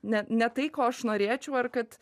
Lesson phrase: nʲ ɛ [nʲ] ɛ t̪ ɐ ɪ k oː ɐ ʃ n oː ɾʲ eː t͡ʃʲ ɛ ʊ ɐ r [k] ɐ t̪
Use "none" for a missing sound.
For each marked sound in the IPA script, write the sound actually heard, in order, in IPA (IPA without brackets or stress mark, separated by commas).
nʲ, k